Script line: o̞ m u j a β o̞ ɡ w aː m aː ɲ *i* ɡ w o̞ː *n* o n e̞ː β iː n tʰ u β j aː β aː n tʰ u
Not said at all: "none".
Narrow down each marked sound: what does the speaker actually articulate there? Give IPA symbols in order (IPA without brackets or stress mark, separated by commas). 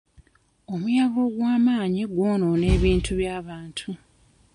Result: i, n